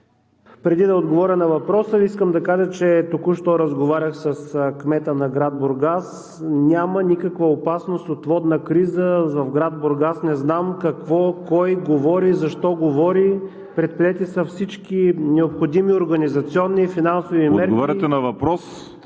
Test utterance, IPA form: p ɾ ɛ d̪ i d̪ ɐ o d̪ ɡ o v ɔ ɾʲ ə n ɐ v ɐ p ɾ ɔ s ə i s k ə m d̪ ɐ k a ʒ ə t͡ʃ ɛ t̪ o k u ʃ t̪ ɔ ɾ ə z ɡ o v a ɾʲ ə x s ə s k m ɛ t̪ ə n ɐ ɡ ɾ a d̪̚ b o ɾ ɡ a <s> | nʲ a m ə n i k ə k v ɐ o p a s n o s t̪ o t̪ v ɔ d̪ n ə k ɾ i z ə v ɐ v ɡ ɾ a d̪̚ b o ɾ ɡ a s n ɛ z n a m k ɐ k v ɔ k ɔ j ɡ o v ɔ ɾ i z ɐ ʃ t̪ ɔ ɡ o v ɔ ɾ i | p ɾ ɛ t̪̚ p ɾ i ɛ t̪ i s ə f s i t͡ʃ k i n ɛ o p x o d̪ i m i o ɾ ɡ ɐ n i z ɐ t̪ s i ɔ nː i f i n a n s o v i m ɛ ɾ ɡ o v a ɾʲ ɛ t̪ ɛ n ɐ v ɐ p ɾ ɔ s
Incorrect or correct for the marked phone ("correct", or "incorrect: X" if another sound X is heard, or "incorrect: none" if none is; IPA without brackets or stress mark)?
correct